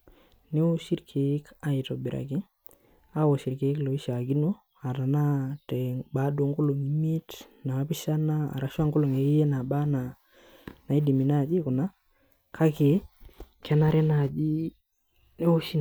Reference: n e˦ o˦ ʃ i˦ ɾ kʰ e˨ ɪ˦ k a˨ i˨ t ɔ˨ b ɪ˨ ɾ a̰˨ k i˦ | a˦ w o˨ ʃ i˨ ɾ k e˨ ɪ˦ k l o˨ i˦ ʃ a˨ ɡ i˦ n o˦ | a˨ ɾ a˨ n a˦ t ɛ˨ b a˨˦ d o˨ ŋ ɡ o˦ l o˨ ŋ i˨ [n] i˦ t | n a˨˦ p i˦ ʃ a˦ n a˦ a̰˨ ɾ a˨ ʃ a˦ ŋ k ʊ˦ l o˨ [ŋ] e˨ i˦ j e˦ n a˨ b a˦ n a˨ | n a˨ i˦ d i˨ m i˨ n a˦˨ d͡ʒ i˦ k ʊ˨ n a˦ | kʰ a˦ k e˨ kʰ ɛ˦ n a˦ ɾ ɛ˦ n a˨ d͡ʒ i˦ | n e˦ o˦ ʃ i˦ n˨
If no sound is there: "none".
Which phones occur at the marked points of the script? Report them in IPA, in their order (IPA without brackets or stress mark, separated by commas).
m, ŋ